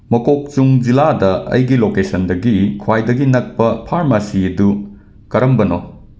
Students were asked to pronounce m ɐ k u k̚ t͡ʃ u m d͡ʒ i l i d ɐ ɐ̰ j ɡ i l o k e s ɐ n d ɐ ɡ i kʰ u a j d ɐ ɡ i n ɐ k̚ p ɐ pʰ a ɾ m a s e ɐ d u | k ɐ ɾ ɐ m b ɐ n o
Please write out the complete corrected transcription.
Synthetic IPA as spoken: m ɐ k o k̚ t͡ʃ u ŋ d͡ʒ i l a d ɐ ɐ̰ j ɡ i l o k e s ɐ n d ɐ ɡ i kʰ w a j d ɐ ɡ i n ɐ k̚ p ɐ pʰ a ɾ m a s i ɐ d u | k ɐ ɾ ɐ m b ɐ n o